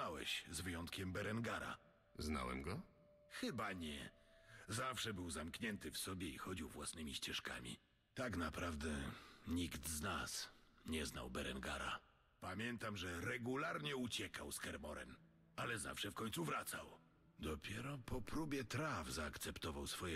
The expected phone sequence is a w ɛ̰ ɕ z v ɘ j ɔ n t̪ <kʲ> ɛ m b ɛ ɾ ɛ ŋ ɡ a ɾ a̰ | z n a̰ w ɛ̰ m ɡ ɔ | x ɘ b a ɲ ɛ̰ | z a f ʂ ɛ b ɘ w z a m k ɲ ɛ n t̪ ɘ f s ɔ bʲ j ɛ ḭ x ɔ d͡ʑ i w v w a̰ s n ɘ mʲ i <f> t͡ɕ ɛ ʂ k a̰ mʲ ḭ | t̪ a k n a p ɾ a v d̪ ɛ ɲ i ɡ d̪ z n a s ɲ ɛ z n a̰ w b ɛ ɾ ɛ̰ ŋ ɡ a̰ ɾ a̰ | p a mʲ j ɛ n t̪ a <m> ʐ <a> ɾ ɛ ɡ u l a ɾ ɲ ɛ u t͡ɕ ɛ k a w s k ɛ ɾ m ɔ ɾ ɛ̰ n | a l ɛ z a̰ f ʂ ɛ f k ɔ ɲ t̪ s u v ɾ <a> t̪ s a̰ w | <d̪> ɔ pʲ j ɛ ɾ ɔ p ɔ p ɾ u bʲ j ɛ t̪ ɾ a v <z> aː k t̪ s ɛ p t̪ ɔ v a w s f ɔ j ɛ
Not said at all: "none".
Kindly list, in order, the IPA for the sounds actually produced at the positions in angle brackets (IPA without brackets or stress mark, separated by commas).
kʲ, ɕ, m, ɛ, a, d̪, z